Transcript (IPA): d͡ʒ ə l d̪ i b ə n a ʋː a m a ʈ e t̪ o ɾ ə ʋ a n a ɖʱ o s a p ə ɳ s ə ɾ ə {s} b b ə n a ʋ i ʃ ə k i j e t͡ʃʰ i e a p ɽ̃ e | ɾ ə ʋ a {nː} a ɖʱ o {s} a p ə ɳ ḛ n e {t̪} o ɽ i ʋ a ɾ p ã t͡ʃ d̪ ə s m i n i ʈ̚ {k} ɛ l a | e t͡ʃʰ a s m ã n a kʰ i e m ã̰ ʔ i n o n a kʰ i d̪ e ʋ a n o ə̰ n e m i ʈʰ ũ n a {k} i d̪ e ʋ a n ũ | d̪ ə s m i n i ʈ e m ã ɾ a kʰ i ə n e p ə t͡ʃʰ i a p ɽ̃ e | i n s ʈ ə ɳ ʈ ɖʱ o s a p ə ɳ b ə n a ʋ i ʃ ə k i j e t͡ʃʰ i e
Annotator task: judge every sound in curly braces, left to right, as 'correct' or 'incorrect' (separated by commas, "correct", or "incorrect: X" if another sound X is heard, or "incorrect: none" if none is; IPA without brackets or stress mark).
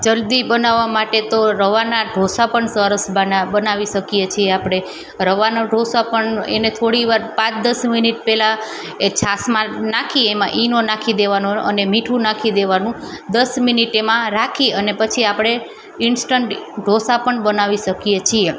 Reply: correct, incorrect: n, correct, incorrect: t̪ʰ, incorrect: p, incorrect: kʰ